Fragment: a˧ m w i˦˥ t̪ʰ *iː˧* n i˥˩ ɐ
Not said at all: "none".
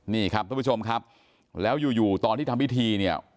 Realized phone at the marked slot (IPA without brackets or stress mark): iː˧